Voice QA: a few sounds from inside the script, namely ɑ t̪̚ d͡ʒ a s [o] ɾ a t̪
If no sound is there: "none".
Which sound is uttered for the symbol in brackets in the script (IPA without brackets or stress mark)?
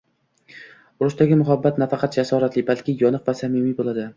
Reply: ɒ